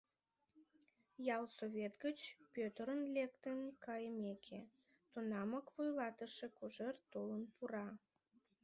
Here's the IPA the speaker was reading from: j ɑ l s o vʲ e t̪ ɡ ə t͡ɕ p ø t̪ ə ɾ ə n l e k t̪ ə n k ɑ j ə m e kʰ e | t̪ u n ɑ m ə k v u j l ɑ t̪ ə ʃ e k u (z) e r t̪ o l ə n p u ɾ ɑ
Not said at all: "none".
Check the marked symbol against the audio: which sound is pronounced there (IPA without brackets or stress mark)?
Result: ʒ